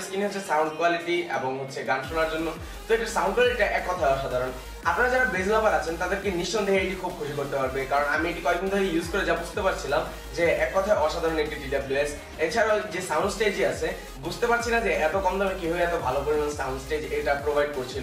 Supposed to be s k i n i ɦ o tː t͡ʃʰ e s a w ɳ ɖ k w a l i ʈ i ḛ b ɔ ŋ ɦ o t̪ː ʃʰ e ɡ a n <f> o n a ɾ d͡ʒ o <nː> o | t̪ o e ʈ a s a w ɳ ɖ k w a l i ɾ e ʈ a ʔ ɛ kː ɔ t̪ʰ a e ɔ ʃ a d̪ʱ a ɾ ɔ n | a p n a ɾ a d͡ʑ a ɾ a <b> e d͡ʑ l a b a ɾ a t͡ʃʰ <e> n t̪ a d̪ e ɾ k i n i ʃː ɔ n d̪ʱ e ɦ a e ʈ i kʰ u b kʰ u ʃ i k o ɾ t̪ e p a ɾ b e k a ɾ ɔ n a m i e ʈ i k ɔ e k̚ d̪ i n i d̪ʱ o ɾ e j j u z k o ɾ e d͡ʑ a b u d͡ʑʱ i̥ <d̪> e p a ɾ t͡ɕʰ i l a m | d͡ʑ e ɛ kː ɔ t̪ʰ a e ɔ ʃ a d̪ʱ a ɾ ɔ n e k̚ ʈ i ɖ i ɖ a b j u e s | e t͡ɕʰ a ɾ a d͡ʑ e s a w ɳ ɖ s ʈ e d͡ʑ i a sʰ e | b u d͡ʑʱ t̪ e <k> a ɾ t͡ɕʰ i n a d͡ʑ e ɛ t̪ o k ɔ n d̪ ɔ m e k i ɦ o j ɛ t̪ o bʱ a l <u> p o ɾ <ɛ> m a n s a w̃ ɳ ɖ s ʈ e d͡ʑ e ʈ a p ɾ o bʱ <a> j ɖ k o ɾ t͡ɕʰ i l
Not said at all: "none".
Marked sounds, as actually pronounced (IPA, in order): ʃ, nː, b, e, t̪, p, o, i, a

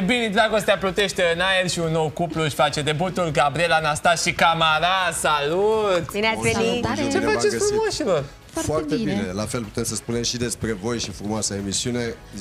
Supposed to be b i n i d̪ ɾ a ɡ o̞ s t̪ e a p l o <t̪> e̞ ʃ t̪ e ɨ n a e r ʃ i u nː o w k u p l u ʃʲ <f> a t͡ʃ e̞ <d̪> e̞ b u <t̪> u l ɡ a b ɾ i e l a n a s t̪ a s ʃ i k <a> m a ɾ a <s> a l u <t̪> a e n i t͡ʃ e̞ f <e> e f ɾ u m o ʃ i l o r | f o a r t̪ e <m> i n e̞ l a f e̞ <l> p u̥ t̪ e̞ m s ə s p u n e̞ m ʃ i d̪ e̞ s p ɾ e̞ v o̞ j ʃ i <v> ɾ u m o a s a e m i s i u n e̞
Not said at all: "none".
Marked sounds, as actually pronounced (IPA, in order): t̪, f, d̪, t̪, a, s, t̪, a, b, l, f

